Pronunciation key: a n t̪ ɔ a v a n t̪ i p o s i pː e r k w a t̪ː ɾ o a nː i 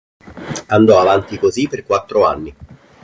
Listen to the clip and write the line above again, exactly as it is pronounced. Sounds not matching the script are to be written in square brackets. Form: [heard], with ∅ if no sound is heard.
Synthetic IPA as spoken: a n [d̪] ɔ a v a n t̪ i [k] o [z] i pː e r k w a t̪ː ɾ o a nː i